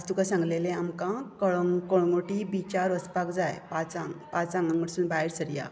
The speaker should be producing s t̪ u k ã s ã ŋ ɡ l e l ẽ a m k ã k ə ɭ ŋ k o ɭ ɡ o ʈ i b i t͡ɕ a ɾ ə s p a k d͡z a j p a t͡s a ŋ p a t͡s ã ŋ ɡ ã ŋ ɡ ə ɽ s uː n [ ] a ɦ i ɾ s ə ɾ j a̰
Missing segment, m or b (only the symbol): b